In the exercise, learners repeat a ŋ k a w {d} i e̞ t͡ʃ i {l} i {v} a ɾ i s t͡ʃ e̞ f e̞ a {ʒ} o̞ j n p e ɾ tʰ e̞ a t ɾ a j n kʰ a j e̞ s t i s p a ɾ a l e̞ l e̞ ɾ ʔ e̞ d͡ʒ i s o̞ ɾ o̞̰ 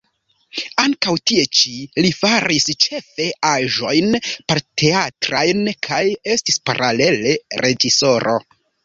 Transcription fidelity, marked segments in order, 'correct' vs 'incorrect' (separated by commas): incorrect, correct, incorrect, correct